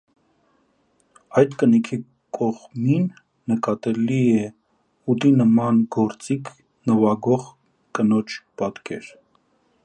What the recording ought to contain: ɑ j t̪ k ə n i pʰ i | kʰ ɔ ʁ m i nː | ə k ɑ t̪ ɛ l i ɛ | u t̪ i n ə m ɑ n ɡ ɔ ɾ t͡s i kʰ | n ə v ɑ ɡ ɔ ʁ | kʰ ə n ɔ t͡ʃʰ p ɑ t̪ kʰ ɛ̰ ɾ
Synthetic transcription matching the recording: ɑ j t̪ k ə n i kʰ i | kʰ ɔ ʁ m i nː | ə k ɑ t̪ ɛ l i ɛ | u t̪ i n ə m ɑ n ɡ ɔ ɾ t͡s i kʰ | n ə v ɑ ɡ ɔ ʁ | k ə n ɔ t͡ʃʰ p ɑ t̪ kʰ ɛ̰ ɾ